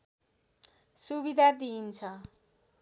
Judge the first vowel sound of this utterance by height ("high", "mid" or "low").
high